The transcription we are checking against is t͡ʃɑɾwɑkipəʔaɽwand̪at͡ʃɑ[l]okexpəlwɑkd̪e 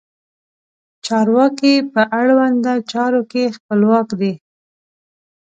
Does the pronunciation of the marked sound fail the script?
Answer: yes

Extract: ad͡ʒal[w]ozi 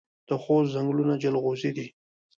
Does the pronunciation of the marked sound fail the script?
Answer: yes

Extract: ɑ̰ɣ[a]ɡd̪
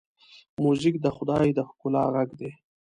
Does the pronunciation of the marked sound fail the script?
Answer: no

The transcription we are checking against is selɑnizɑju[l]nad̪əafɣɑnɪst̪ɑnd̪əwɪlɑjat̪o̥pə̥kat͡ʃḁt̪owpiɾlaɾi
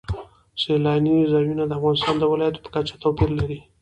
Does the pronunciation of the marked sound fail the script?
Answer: yes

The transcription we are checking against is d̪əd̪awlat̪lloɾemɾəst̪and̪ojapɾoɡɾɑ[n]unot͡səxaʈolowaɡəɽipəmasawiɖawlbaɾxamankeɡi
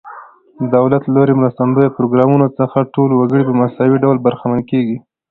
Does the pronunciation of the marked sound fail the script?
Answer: yes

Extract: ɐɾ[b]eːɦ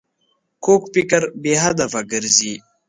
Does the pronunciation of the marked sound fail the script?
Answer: no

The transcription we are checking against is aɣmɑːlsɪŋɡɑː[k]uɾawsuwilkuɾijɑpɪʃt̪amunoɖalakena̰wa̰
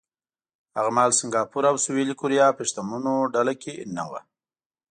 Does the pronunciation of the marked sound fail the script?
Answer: yes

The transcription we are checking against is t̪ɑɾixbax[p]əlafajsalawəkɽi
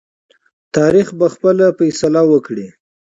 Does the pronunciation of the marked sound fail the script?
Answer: no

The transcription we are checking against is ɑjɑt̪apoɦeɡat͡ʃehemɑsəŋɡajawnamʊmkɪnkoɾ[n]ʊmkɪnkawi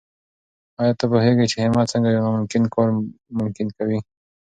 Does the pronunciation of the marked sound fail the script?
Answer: yes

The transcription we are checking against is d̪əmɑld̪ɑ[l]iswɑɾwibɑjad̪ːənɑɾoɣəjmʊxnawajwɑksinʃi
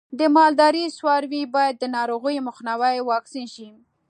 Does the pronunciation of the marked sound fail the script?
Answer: yes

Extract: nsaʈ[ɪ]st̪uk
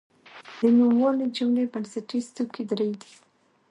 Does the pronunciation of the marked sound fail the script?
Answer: yes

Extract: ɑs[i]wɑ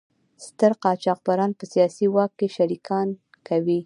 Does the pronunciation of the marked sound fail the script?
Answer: no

